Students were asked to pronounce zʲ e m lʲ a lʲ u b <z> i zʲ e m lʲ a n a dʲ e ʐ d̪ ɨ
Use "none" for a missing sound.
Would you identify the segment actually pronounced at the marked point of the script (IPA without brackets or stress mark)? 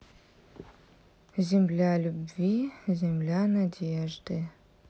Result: v